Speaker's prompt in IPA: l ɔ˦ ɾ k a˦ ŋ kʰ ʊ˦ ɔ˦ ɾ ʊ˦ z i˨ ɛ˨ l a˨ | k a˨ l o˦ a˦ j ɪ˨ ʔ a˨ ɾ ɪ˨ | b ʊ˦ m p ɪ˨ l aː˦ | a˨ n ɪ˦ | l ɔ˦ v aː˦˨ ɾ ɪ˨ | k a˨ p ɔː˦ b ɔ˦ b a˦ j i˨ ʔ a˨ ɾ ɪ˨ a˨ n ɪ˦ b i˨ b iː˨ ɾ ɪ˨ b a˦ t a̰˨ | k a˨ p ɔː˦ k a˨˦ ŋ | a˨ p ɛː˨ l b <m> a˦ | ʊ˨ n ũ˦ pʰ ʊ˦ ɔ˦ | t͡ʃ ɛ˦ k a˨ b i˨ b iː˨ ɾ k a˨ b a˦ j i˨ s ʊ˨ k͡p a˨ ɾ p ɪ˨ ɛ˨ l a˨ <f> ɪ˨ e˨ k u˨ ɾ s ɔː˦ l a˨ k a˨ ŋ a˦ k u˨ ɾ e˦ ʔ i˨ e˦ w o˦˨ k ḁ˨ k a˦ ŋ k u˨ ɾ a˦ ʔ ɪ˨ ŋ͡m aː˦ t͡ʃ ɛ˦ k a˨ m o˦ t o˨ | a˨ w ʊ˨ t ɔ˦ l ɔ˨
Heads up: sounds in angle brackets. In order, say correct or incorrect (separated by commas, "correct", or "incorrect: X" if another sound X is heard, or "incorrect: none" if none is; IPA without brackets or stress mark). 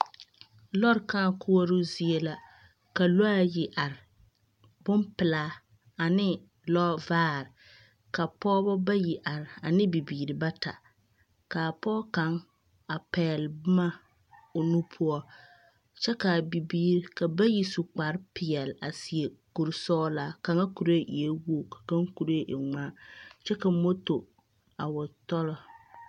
correct, incorrect: s